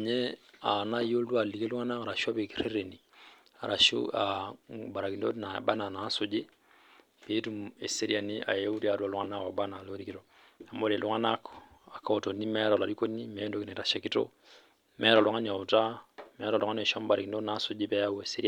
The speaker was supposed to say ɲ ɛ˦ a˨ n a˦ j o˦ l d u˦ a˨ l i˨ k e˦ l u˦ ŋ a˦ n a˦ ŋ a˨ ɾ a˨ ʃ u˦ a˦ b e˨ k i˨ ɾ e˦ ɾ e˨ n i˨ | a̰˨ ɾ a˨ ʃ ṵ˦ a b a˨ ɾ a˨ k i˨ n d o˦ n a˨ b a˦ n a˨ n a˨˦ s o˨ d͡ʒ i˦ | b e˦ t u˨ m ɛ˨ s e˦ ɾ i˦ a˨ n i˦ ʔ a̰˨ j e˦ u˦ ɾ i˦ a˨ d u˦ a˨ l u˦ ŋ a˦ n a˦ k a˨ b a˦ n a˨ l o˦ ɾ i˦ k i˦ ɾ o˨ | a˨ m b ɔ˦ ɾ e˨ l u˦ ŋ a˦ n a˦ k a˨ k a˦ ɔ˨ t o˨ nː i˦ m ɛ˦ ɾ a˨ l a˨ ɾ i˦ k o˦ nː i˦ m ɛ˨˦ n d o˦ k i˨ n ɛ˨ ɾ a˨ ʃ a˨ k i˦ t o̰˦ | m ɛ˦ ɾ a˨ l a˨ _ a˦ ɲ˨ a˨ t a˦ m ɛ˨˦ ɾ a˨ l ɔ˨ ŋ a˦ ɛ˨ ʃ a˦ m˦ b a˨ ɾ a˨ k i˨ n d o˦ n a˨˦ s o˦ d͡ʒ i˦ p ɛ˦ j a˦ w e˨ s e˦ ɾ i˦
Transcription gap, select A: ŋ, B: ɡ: A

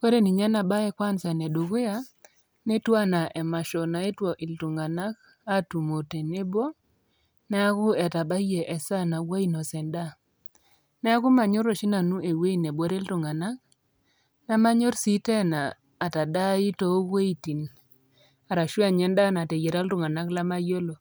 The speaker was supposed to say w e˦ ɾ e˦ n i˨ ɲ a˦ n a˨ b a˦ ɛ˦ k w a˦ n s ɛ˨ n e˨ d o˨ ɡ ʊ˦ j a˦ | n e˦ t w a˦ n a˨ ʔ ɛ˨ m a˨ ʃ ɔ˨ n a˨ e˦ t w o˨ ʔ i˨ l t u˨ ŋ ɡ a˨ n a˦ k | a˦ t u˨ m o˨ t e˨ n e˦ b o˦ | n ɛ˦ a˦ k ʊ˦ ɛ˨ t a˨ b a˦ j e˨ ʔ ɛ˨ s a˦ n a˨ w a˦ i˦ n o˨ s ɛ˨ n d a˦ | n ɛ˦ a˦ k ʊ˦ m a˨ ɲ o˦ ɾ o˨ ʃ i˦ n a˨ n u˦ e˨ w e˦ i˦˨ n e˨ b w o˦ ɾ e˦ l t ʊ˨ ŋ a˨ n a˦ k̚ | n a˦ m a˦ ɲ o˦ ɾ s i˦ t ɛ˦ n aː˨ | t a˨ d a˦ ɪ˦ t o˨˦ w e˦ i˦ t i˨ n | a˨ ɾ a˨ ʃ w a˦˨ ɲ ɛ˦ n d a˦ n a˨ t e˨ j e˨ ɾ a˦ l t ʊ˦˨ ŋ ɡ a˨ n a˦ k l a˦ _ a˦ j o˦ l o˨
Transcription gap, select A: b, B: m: B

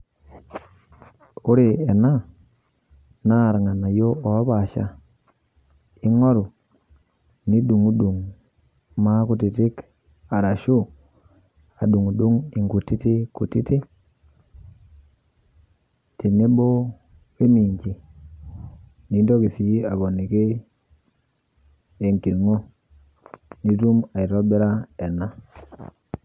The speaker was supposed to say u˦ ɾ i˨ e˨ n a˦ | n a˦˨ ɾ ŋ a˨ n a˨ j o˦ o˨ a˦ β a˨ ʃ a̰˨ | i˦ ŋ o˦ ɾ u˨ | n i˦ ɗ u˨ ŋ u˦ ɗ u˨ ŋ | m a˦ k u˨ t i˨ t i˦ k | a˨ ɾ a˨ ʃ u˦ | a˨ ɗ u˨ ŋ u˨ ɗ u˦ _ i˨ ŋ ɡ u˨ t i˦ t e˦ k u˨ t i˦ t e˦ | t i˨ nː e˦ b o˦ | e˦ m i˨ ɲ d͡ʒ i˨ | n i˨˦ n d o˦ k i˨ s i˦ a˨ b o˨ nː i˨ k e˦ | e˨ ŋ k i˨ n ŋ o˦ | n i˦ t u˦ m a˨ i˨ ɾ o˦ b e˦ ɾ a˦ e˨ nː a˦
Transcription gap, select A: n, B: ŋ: B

